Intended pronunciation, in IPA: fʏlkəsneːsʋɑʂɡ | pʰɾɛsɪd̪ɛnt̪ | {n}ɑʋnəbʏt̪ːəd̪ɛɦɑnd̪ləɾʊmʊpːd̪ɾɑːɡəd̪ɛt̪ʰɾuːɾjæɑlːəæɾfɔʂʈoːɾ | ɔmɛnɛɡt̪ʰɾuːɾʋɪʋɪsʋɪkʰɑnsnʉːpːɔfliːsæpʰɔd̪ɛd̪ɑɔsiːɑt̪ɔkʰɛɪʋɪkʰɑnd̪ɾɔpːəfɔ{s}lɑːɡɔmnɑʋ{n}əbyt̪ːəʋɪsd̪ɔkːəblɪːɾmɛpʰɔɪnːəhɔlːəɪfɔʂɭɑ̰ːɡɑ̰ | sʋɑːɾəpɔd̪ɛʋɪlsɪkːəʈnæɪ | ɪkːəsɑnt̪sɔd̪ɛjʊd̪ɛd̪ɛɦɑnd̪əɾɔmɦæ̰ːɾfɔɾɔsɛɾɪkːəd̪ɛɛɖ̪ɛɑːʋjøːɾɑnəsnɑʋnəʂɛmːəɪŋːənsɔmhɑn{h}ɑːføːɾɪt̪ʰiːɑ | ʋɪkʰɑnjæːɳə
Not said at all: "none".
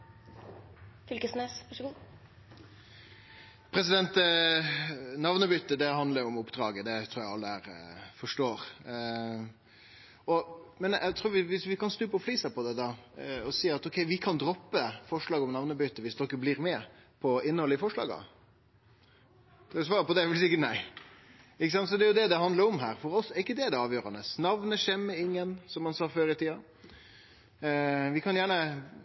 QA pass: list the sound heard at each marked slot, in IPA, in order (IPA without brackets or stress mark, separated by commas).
n, ʂ, n, s